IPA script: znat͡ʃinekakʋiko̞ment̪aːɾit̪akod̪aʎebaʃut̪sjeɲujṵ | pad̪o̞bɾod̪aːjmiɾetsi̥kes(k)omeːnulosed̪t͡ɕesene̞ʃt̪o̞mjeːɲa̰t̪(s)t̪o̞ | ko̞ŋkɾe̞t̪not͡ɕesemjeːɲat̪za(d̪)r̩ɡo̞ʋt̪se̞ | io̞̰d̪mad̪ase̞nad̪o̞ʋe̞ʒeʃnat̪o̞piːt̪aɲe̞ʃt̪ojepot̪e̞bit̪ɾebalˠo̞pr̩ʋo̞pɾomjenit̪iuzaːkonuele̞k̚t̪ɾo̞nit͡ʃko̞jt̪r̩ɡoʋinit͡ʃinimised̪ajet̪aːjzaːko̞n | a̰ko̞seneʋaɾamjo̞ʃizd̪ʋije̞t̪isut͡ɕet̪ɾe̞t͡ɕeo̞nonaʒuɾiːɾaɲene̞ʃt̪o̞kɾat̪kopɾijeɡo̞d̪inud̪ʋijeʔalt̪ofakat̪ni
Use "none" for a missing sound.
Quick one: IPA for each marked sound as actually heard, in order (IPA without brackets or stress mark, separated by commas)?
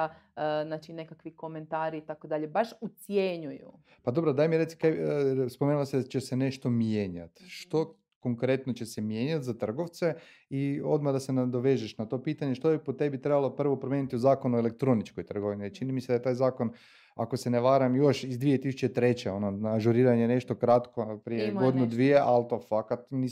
p, ʃ, t̪